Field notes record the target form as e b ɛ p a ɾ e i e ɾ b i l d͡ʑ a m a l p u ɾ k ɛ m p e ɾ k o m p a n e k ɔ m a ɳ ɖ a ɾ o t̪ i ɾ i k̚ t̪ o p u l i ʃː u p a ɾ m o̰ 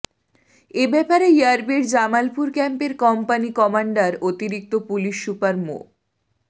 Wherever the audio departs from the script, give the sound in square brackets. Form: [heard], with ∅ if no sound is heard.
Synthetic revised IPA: e b ɛ p a ɾ e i [a] ɾ b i [ɾ] d͡ʑ a m a l p u ɾ k ɛ m p e ɾ k [ɔ] m p a n [i] k ɔ m a ɳ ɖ a ɾ o t̪ i ɾ i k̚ t̪ o p u l i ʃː u p a ɾ m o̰